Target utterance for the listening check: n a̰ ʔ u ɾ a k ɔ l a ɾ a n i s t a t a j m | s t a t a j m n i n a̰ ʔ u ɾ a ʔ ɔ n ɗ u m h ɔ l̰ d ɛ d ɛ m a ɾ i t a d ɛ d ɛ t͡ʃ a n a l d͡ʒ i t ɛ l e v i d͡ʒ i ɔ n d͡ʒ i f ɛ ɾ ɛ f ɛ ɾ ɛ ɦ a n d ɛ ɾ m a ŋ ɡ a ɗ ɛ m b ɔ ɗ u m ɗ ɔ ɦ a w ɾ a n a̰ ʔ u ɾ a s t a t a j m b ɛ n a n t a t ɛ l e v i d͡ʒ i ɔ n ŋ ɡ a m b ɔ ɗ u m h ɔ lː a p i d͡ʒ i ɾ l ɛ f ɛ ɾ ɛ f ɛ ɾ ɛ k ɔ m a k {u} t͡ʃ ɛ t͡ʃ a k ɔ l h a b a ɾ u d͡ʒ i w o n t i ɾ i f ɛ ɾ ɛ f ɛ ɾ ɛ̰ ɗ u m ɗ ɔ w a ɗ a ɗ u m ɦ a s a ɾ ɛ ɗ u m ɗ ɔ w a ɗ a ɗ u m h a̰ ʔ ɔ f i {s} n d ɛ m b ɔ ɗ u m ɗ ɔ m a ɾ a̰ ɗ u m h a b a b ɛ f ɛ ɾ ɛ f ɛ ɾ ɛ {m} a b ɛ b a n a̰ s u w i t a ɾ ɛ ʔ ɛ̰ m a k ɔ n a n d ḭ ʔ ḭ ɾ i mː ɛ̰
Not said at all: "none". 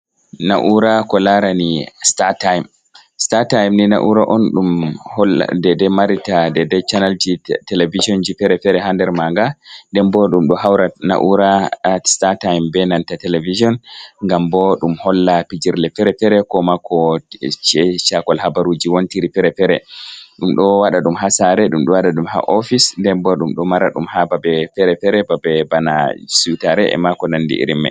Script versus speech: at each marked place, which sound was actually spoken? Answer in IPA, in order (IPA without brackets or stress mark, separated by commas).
ɔ, s, b